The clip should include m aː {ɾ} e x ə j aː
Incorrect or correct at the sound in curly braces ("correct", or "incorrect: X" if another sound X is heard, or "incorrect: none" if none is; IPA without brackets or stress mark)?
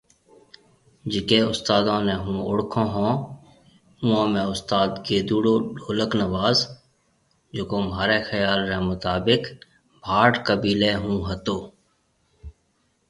correct